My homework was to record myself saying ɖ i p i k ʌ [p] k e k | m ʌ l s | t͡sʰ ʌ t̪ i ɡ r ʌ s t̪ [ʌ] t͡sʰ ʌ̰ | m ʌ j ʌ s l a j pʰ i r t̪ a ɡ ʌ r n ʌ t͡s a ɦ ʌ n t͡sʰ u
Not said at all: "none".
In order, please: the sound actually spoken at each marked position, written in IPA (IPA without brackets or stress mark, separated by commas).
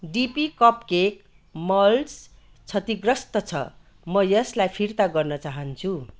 p, ʌ